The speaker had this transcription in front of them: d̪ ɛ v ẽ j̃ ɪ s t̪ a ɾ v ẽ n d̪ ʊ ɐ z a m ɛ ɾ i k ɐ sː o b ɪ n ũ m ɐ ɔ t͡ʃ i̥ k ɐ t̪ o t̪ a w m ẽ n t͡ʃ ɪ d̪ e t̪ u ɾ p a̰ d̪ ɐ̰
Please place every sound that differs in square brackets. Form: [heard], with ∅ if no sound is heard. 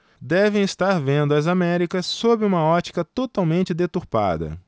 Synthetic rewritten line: d̪ ɛ v ẽ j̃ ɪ s t̪ a ɾ v ẽ n d̪ ʊ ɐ z a m ɛ ɾ i k ɐ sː o b ɪ [∅] ũ m ɐ ɔ t͡ʃ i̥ k ɐ t̪ o t̪ a w m ẽ n t͡ʃ ɪ d̪ e t̪ u ɾ p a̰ d̪ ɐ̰

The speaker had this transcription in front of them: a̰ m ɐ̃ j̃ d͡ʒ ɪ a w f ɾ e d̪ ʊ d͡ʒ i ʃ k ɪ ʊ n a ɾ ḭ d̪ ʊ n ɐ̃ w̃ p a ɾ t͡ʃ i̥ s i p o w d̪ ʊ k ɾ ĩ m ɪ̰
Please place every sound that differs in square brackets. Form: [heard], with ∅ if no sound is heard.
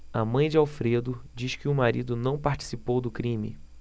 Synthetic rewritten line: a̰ m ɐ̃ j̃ d͡ʒ ɪ a w f ɾ e d̪ ʊ d͡ʒ i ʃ k ɪ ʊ [m] a ɾ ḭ d̪ ʊ n ɐ̃ w̃ p a ɾ t͡ʃ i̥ s i p o w d̪ ʊ k ɾ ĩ m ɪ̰

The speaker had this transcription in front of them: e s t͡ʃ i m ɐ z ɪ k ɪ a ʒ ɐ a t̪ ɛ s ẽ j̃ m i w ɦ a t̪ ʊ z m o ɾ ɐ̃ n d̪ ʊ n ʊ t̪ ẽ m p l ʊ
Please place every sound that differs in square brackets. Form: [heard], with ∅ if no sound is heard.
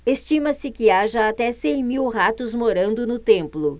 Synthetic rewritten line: e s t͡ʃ i m ɐ [s] ɪ k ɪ a ʒ ɐ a t̪ ɛ s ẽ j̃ m i w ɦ a t̪ ʊ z m o ɾ ɐ̃ n d̪ ʊ n ʊ t̪ ẽ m p l ʊ

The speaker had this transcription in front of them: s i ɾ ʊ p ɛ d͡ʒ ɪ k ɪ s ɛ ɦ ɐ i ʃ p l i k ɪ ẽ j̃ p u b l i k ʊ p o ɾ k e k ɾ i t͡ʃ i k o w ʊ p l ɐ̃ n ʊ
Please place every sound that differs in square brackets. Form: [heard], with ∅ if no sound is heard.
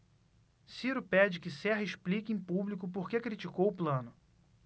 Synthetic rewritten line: s i ɾ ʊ p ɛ d͡ʒ ɪ k ɪ s ɛ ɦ ɐ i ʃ p l i k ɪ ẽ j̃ p u b l i k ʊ p o ɾ k e k ɾ i t͡ʃ i k o w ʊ p l ɐ̃ n ʊ

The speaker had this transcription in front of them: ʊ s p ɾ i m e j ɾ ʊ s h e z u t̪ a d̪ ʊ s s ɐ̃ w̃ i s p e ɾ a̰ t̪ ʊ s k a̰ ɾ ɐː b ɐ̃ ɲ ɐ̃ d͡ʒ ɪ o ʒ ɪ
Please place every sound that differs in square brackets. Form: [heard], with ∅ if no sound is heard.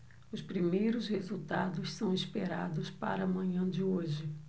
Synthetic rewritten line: ʊ s p ɾ i m e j ɾ ʊ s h e z u t̪ a d̪ ʊ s s ɐ̃ w̃ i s p e ɾ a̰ [d̪] ʊ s [p] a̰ ɾ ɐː [m] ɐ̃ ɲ ɐ̃ d͡ʒ ɪ o ʒ ɪ

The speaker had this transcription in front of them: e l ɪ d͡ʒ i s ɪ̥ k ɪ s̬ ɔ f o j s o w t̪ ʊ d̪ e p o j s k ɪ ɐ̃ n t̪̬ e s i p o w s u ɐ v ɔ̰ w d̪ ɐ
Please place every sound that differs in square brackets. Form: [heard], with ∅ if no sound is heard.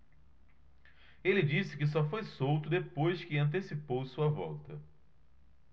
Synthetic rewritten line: e l ɪ d͡ʒ i s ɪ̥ k ɪ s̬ ɔ f o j s o w t̪ ʊ d̪ e p o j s k ɪ ɐ̃ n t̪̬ e s i p o w s u ɐ v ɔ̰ w [t̪] ɐ

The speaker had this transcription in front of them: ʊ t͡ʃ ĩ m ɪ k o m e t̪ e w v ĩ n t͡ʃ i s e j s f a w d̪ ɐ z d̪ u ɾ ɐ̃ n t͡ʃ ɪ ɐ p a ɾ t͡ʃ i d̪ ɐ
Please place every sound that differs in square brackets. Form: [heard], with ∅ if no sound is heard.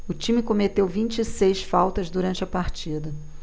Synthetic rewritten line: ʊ t͡ʃ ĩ m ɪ k o m e t̪ e w v ĩ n t͡ʃ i s e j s f a w [t̪] ɐ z d̪ u ɾ ɐ̃ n t͡ʃ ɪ ɐ p a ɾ t͡ʃ i d̪ ɐ

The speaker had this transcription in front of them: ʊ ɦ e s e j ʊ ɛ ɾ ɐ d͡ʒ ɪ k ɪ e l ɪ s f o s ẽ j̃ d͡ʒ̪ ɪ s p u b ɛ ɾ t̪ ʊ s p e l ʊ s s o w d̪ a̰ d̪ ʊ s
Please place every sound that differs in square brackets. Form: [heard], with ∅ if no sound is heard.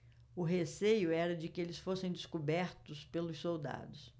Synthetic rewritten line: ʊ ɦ e s e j ʊ ɛ ɾ ɐ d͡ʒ ɪ k ɪ e l ɪ s f o s ẽ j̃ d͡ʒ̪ ɪ s [k] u b ɛ ɾ t̪ ʊ s p e l ʊ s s o w d̪ a̰ d̪ ʊ s

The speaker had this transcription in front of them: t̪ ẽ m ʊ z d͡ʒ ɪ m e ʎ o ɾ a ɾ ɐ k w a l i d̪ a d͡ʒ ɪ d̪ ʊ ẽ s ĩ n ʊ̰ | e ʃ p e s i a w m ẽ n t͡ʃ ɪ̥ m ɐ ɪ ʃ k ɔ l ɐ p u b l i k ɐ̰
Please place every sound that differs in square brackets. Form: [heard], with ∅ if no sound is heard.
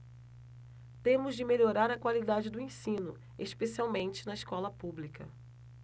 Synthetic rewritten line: t̪ ẽ m ʊ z d͡ʒ ɪ m e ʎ o ɾ a ɾ ɐ k w a l i d̪ a d͡ʒ ɪ d̪ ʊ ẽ s ĩ n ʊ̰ | e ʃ p e s i a w m ẽ n t͡ʃ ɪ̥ [n] ɐ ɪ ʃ k ɔ l ɐ p u b l i k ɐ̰

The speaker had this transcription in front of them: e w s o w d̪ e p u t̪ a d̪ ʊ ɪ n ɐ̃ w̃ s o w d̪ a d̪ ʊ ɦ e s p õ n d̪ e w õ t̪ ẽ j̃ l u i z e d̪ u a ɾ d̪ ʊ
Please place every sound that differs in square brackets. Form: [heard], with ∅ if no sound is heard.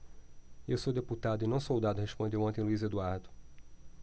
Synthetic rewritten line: e w s o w d̪ e p u t̪ a d̪ ʊ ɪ n ɐ̃ w̃ s o w d̪ a d̪ ʊ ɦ e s p õ n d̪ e w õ t̪ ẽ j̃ l u i z e d̪ u a ɾ d̪ ʊ

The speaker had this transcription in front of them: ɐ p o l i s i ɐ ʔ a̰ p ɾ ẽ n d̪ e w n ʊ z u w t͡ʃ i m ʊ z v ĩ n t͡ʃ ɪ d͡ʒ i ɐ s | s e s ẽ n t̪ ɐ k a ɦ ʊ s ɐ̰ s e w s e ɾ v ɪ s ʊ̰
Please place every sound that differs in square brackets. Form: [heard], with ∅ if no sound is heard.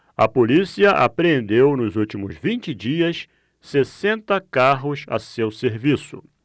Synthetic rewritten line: ɐ p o l i s i ɐ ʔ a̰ p ɾ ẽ n d̪ e w n ʊ z u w t͡ʃ i m ʊ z v ĩ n t͡ʃ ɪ d͡ʒ i ɐ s | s e s ẽ n t̪ ɐ k a ɦ ʊ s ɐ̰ s e w s e ɾ v [i] s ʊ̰

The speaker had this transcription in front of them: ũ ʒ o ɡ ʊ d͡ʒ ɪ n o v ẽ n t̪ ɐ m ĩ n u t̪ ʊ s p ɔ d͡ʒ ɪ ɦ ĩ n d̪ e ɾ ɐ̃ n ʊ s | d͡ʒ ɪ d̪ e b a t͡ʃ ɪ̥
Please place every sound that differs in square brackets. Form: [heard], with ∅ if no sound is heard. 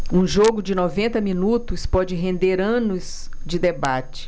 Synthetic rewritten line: ũ ʒ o ɡ ʊ d͡ʒ ɪ n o v ẽ n t̪ ɐ m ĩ n u t̪ ʊ s p ɔ d͡ʒ ɪ ɦ [ẽ] n d̪ e ɾ ɐ̃ n ʊ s | d͡ʒ ɪ d̪ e b a t͡ʃ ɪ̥

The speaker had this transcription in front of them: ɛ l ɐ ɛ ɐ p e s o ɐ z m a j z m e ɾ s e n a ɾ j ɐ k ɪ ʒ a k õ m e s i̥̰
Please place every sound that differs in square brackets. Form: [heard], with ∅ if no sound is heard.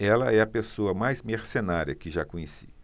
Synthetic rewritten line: ɛ l ɐ ɛ ɐ p e s o ɐ [∅] m a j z m e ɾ s e n a ɾ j ɐ k ɪ ʒ a k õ [ɲ] e s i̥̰

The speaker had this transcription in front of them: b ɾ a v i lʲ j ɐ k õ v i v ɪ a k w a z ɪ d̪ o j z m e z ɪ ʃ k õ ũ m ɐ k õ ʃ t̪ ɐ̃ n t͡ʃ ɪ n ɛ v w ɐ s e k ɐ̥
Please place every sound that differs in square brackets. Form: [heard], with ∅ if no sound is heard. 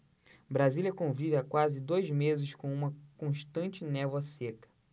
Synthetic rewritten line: b ɾ a [z] i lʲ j ɐ k õ v i v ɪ a k w a z ɪ d̪ o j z m e z ɪ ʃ k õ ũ m ɐ k õ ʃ t̪ ɐ̃ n t͡ʃ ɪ n ɛ v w ɐ s e k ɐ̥

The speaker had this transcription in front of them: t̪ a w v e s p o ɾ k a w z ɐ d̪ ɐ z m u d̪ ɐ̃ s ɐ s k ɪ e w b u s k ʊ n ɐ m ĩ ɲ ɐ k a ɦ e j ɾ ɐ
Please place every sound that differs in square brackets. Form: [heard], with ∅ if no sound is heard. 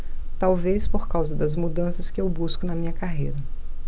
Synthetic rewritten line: t̪ a w v e s p o ɾ k a w z ɐ d̪ ɐ z m u d̪ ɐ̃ s ɐ s k ɪ e w b u s k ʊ n ɐ m ĩ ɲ ɐ k a ɦ e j ɾ ɐ

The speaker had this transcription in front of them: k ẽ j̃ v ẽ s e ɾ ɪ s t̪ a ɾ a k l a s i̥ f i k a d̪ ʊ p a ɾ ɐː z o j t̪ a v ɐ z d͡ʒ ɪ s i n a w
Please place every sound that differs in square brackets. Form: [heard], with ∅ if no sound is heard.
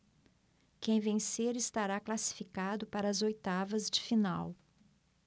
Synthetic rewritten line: k ẽ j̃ v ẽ s e ɾ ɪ s t̪ a ɾ a k l a s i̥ f i k a d̪ ʊ p a ɾ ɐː z o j t̪ a v ɐ z d͡ʒ ɪ [f] i n a w

